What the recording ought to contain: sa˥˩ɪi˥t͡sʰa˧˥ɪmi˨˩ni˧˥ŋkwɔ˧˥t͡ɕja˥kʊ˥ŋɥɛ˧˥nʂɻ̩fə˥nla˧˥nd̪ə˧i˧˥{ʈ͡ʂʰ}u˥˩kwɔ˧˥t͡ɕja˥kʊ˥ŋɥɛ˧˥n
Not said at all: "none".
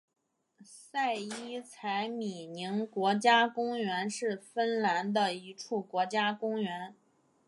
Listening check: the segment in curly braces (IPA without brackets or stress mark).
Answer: ʈ͡ʂʰ